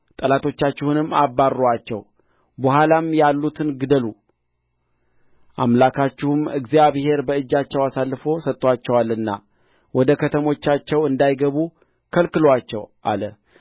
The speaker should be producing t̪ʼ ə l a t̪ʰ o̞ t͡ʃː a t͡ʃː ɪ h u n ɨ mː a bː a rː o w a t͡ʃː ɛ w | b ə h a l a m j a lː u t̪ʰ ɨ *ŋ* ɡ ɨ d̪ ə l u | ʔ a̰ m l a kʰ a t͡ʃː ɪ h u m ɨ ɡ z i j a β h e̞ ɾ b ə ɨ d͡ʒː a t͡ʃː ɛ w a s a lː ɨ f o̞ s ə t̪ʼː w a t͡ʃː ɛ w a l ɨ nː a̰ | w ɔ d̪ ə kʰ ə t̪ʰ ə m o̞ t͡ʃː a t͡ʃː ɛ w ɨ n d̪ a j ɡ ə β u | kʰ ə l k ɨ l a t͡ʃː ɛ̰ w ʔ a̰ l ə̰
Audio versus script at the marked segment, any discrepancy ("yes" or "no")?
yes